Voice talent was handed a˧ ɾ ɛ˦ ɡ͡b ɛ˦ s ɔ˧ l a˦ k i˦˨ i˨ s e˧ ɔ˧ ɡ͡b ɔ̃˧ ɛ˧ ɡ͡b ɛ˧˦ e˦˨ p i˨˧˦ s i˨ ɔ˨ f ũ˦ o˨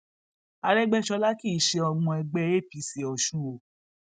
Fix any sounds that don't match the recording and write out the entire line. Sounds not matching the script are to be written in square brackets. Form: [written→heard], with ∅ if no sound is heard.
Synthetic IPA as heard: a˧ ɾ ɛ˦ ɡ͡b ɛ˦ [s→ʃ] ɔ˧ l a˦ k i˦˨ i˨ [s→ʃ] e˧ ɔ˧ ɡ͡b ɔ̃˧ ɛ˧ ɡ͡b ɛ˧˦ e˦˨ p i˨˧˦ s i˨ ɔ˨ [f→ʃ] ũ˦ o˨